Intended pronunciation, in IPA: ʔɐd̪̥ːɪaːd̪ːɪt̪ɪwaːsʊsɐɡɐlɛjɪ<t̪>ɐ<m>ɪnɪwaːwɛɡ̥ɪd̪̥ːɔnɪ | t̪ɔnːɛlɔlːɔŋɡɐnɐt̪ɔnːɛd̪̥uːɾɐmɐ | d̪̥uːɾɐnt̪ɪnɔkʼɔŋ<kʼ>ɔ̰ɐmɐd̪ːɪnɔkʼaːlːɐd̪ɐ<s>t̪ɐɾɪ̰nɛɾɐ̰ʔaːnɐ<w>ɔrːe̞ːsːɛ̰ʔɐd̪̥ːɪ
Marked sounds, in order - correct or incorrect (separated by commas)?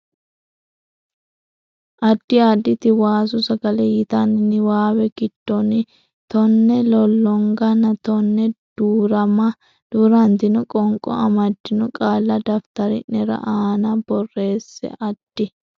correct, incorrect, correct, incorrect, incorrect